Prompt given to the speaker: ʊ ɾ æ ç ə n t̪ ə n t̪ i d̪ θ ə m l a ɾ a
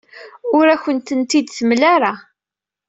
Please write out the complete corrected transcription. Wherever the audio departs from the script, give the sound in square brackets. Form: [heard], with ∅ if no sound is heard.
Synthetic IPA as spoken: ʊ ɾ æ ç ə n t̪ ə n t̪ i d̪ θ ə m l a ɾ a